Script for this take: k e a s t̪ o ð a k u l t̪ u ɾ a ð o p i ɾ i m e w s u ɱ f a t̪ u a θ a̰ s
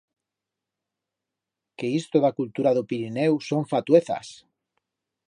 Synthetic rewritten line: k e i s t̪ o ð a k u l t̪ u ɾ a ð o p i ɾ i n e w s o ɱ f a t̪ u e θ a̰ s